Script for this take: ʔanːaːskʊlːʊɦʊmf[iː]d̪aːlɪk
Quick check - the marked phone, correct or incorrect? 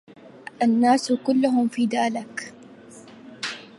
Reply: correct